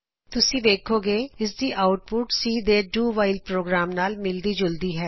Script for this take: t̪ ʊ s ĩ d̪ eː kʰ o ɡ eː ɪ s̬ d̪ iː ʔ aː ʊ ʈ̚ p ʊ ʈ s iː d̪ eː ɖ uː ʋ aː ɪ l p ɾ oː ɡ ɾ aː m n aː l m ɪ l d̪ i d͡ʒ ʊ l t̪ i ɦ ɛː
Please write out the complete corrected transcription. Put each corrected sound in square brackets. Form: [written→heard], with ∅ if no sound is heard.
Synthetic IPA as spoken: t̪ ʊ s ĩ d̪ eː kʰ o ɡ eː ɪ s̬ d̪ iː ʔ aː ʊ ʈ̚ p ʊ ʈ s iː d̪ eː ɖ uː ʋ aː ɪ l p ɾ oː ɡ ɾ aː m n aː l m ɪ l d̪ i d͡ʒ ʊ l [t̪→d̪] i ɦ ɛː